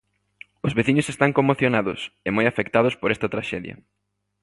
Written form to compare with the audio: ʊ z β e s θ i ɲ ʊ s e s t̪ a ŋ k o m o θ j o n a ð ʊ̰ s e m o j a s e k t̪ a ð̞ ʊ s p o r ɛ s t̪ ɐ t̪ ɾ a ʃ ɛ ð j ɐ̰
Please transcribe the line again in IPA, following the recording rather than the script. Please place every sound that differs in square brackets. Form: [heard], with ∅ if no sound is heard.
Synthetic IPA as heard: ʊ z β e [∅] θ i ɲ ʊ s e s t̪ a ŋ k o m o θ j o n a ð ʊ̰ s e m o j a [f] e k t̪ a ð̞ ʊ s p o [ɾ] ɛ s t̪ ɐ t̪ ɾ a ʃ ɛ ð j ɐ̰